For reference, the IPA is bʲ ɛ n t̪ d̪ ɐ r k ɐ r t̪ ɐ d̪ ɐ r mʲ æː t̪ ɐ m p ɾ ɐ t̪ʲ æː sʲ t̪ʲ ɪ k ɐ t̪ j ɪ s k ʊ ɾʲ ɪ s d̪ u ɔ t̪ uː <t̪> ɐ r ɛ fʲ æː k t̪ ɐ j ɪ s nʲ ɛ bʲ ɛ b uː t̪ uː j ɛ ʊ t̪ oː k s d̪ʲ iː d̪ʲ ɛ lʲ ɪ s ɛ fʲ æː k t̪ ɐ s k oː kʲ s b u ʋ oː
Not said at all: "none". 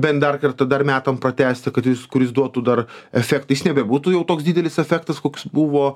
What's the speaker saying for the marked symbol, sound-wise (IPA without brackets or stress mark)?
d̪